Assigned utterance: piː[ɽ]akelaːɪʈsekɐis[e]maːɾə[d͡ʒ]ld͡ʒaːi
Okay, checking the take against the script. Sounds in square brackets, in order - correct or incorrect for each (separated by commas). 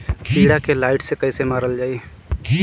correct, correct, incorrect